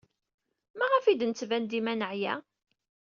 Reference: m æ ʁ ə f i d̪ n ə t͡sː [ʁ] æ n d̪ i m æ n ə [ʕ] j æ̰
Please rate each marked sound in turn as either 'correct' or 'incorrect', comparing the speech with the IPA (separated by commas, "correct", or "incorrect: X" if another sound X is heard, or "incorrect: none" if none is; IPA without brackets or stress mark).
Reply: incorrect: v, correct